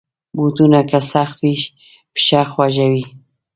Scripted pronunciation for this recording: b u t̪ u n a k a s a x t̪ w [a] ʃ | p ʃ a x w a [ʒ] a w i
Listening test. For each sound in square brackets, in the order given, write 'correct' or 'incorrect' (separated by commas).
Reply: incorrect, correct